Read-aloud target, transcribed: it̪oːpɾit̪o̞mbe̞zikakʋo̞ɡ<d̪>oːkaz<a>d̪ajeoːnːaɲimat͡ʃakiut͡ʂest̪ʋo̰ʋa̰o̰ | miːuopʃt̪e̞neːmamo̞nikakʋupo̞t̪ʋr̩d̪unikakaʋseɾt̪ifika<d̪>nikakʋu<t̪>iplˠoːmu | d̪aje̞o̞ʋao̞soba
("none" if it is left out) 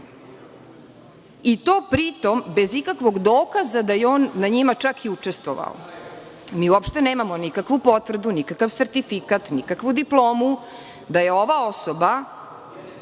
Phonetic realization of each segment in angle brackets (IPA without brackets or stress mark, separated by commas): d̪, a, t̪, d̪